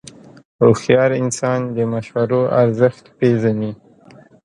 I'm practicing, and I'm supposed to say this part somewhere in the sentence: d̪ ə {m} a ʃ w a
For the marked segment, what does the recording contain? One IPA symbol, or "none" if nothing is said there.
m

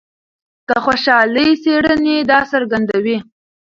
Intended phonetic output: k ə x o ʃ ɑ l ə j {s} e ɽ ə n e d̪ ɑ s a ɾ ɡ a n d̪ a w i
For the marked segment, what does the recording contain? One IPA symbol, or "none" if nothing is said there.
s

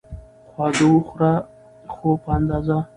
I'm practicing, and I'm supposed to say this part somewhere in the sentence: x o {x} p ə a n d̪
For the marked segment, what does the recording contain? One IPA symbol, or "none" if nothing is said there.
none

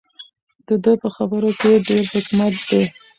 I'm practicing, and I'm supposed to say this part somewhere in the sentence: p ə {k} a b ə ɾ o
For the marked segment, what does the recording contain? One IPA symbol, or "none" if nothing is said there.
x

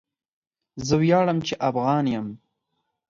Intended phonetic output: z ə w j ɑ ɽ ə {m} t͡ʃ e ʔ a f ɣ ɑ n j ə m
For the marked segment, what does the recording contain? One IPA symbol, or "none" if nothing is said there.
m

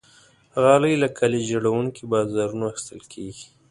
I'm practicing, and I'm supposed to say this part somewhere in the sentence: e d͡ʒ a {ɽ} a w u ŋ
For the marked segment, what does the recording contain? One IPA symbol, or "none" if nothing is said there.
ɽ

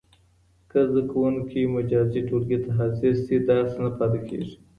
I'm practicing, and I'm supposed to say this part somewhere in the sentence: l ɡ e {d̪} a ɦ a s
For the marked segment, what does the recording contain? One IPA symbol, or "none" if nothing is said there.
t̪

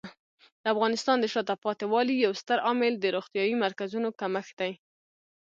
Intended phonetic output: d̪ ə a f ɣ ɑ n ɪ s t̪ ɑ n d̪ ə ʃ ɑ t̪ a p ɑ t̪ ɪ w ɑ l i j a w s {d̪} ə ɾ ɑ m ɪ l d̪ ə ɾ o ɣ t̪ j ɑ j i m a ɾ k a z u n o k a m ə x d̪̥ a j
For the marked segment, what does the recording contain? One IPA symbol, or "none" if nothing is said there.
t̪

